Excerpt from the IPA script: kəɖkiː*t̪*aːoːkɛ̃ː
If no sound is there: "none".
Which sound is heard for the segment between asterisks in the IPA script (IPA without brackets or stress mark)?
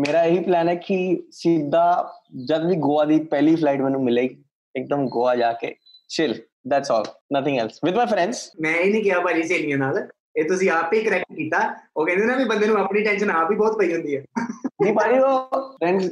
t̪